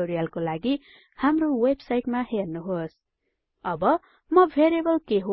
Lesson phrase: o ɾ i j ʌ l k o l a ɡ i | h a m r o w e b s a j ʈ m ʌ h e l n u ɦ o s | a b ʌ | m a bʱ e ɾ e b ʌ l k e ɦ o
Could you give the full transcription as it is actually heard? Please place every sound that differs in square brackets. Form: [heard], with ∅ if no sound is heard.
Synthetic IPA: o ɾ i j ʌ l k o l a ɡ i | h a m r o w e b s a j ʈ m [a] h e [r] n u ɦ o s | [ʌ] b ʌ | m [ʌ] bʱ e ɾ e b ʌ l k e ɦ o